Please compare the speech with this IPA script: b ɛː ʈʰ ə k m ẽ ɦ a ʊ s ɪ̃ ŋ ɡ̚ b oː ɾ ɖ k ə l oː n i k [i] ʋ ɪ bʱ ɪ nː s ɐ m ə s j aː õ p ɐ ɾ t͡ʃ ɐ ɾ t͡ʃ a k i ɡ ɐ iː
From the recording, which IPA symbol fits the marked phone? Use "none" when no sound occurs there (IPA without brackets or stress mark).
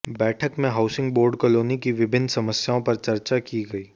i